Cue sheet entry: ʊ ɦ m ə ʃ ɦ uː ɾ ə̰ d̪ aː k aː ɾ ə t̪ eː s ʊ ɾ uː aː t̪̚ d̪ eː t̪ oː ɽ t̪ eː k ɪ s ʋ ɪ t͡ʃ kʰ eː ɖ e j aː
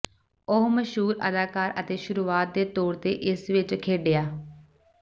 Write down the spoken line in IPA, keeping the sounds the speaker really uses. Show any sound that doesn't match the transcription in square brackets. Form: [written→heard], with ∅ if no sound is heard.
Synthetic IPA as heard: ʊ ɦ m ə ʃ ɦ uː ɾ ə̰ d̪ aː k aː ɾ ə t̪ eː [s→ʃ] ʊ ɾ uː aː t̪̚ d̪ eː t̪ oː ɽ t̪ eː [k→ʔ] ɪ s ʋ ɪ t͡ʃ kʰ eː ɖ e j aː